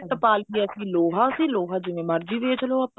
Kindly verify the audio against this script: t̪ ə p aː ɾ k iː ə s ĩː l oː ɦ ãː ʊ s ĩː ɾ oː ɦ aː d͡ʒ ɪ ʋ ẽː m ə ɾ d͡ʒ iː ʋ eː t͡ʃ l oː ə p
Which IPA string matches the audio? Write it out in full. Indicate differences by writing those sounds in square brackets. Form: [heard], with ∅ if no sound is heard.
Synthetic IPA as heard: t̪ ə p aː [l] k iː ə s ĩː l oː ɦ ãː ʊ s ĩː [l] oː ɦ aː d͡ʒ ɪ ʋ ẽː m ə ɾ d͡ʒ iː ʋ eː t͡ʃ l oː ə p